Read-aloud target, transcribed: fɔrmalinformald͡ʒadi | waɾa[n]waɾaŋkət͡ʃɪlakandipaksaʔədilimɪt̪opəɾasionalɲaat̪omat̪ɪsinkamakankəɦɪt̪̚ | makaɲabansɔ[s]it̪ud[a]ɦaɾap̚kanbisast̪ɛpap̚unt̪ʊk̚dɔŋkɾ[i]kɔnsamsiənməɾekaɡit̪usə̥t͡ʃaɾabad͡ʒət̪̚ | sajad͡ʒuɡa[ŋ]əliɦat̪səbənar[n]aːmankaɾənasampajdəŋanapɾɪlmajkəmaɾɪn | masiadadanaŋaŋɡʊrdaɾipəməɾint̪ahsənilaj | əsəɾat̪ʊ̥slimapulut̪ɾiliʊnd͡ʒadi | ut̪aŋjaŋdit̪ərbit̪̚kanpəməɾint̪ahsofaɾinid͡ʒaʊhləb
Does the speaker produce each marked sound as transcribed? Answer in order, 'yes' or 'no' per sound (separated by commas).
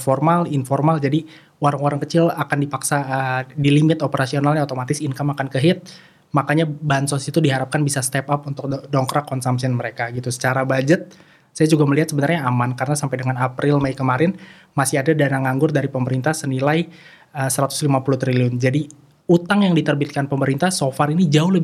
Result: no, yes, no, no, no, no